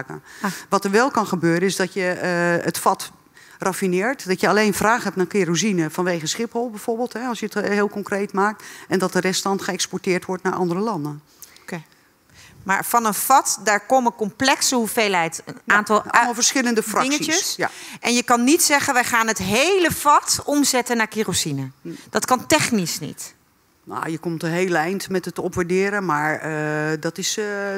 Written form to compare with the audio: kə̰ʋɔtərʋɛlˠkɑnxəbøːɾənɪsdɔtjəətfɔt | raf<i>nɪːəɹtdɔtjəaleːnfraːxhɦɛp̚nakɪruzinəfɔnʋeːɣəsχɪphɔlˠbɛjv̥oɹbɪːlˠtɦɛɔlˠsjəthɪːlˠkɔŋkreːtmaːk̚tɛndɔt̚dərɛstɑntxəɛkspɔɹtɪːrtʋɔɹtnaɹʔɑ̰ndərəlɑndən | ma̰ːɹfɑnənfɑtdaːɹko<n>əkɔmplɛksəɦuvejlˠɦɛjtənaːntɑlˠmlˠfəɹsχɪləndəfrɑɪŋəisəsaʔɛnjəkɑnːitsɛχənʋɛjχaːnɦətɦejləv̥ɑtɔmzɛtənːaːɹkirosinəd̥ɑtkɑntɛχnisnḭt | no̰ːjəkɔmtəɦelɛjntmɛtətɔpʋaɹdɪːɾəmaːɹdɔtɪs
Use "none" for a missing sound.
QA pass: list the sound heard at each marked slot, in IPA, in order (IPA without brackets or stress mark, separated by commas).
i, m